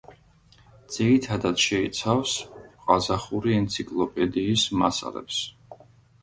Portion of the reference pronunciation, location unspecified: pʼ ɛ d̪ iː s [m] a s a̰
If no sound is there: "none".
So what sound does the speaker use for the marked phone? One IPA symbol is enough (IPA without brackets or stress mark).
m